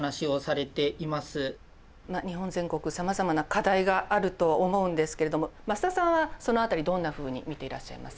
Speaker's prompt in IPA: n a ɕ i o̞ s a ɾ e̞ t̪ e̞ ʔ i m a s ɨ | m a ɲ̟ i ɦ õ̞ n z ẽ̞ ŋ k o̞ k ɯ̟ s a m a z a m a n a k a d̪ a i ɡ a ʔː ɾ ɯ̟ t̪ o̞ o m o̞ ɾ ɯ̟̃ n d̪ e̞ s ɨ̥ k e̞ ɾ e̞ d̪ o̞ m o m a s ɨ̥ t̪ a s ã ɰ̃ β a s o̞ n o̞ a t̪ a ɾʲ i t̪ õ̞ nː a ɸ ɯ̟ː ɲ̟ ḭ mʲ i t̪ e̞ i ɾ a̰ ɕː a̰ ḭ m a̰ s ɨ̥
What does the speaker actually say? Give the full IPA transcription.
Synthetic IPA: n a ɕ i o̞ s a ɾ e̞ t̪ e̞ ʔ i m a s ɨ | m a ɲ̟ i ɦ õ̞ n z ẽ̞ ŋ k o̞ k ɯ̟ s a m a z a m a n a k a d̪ a i ɡ a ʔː ɾ ɯ̟ t̪ o̞ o m o̞ ɯ̟̃ n d̪ e̞ s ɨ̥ k e̞ ɾ e̞ d̪ o̞ m o m a s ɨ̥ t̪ a s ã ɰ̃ β a s o̞ n o̞ a t̪ a ɾʲ i d̪ õ̞ nː a ɸ ɯ̟ː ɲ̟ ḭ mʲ i t̪ e̞ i ɾ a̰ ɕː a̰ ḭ m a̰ s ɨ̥